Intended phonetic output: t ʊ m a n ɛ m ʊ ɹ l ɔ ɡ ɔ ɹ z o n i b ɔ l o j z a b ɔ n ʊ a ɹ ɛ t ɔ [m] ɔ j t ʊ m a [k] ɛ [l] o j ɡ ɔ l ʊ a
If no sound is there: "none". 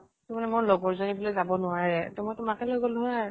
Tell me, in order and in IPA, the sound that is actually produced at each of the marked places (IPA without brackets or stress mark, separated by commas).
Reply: m, k, l